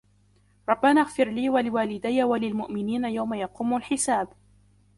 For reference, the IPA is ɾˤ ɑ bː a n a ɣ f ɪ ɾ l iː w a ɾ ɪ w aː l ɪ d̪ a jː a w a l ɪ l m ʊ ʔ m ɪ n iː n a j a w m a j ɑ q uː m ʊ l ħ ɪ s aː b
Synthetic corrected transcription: ɾˤ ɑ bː a n a ɣ f ɪ ɾ l iː w a l ɪ w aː l ɪ d̪ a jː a w a l ɪ l m ʊ ʔ m ɪ n iː n a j a w m a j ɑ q uː m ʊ l ħ ɪ s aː b